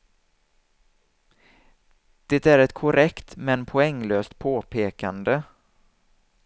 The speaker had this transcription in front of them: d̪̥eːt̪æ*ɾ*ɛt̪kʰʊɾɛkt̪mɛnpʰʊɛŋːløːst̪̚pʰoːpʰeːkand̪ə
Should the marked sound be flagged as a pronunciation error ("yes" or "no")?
no